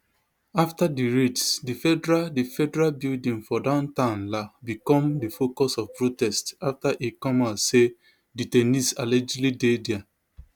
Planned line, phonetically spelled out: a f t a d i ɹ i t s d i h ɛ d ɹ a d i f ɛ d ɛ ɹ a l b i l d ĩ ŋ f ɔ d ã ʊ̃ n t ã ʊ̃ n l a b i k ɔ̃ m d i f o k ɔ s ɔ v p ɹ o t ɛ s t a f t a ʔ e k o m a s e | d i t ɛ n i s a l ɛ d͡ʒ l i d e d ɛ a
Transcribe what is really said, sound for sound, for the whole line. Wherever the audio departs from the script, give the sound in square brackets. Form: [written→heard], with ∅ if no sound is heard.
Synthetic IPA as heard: a f t a d i ɹ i t s d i [h→f] ɛ d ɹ a d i f ɛ d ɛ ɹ a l b i l d ĩ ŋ f ɔ d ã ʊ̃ n t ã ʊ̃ n l a b i k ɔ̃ m d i f o k ɔ s ɔ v p ɹ o t ɛ s t a f t a ʔ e k [o→ɔ] m a s e | d i t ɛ n i s a l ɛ d͡ʒ l i d e d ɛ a

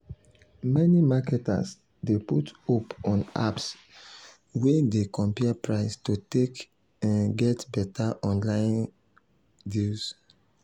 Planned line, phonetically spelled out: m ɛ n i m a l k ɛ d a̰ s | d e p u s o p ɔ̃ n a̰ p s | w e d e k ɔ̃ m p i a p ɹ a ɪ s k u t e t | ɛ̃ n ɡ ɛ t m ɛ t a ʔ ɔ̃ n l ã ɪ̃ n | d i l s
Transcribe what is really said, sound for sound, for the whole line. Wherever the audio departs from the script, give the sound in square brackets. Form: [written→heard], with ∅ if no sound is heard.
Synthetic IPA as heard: m ɛ n i m a [l→∅] k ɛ [d→t] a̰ s | d e p u [s→t] o p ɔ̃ n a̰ p s | w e d e k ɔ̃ m p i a p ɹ a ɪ s [k→t] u t e [t→k] | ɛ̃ n ɡ ɛ t [m→b] ɛ t a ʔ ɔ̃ n l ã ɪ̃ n | d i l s

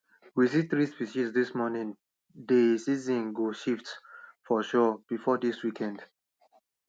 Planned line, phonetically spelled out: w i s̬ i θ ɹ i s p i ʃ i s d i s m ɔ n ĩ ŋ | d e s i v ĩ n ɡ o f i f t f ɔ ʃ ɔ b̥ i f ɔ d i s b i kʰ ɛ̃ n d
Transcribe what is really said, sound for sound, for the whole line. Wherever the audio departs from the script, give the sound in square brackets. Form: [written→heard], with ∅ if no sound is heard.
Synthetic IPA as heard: w i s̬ i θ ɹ i s p i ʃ i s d i s m ɔ n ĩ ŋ | d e s i [v→z] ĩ n ɡ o [f→ʃ] i f t f ɔ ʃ ɔ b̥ i f ɔ d i s [b→w] i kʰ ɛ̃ n d

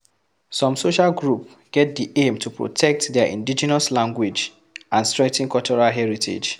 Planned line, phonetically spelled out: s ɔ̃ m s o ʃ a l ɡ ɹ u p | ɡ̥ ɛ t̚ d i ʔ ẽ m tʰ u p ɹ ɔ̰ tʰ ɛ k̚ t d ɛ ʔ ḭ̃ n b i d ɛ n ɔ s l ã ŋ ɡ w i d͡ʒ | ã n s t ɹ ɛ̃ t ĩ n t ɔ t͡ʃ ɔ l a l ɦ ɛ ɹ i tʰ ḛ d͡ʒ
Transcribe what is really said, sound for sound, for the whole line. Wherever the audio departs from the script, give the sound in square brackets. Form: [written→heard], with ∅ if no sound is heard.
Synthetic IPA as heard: s ɔ̃ m s o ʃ a l ɡ ɹ u p | ɡ̥ ɛ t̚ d i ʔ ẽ m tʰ u p ɹ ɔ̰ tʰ ɛ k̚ t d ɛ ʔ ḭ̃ n [b→d] i [d→d͡ʒ] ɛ n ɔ s l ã ŋ ɡ w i d͡ʒ | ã n s t ɹ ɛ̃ t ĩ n [t→k] ɔ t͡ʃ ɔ [l→ɹ] a l ɦ ɛ ɹ i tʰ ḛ d͡ʒ

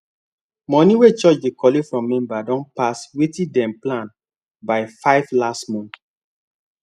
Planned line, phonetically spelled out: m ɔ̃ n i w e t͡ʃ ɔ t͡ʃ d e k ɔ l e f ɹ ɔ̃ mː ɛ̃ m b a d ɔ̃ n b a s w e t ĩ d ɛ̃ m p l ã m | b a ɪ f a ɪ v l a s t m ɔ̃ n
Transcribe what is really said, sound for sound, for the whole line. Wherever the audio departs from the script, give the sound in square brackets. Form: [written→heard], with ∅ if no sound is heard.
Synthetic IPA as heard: m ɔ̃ n i w e t͡ʃ ɔ t͡ʃ d e k ɔ l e f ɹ ɔ̃ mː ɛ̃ m b a d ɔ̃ n [b→p] a s w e t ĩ d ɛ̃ m p l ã [m→n] | b a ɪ f a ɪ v l a s t m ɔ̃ n

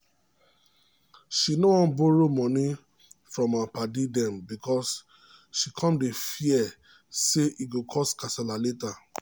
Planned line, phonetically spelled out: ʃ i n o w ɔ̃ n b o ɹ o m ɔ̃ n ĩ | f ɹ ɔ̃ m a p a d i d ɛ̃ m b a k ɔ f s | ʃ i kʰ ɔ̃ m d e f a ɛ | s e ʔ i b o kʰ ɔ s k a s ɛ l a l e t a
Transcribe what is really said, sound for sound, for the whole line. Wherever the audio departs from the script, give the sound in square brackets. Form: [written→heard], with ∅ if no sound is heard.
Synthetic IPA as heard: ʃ i n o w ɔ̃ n b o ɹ o m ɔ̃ n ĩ | f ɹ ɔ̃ m a p a d i d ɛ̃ m b [a→i] k ɔ [f→∅] s | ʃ i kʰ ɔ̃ m d e f [a→i] ɛ | s e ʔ i [b→ɡ] o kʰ ɔ s k a s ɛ l a l e t a

